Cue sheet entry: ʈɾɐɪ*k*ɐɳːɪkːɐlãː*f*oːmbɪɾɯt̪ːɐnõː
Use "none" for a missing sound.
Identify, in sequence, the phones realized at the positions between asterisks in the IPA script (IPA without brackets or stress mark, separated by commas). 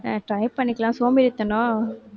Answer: p, s